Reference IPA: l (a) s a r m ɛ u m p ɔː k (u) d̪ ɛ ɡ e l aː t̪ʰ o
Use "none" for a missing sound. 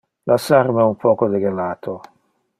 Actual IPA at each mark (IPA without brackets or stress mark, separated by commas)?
a, o